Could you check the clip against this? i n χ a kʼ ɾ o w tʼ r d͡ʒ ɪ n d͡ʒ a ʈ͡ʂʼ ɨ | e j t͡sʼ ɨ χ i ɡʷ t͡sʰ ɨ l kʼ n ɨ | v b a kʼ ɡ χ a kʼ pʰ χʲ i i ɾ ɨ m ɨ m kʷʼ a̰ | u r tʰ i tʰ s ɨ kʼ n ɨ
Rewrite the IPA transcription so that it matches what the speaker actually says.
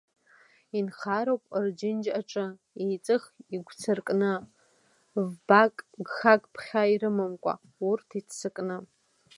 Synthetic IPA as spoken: i n χ a ɾ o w pʼ r d͡ʒ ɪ n d͡ʒ a ʈ͡ʂʼ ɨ | e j t͡sʼ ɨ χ i ɡʷ t͡sʰ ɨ r kʼ n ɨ | v b a kʼ ɡ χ a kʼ pʰ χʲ a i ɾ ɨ m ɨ m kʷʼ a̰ | u r tʰ i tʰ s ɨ kʼ n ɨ